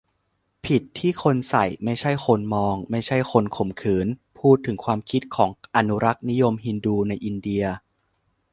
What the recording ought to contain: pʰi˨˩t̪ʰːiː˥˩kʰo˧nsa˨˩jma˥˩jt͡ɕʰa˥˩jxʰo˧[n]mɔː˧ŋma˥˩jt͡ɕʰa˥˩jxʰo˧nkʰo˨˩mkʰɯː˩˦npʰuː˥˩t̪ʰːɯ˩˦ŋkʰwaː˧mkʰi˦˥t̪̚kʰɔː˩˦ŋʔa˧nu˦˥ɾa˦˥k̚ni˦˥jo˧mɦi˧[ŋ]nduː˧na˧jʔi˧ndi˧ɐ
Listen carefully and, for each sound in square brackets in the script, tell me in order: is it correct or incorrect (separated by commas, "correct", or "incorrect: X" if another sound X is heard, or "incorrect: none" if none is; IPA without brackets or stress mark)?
correct, incorrect: none